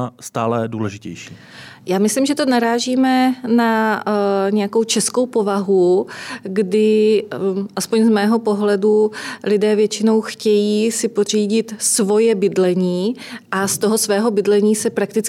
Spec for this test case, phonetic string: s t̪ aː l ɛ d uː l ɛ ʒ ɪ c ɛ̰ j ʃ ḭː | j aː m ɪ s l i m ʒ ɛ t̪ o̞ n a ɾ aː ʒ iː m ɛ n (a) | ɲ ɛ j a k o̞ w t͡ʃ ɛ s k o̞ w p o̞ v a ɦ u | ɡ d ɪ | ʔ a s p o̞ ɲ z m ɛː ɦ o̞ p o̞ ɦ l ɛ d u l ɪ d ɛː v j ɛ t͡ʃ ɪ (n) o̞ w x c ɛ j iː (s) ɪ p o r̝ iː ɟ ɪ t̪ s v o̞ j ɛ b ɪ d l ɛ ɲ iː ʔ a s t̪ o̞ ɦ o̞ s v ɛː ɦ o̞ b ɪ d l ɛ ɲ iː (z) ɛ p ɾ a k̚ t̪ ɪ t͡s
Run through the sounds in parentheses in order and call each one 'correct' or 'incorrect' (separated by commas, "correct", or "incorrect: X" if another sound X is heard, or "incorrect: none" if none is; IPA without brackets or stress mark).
correct, correct, correct, incorrect: s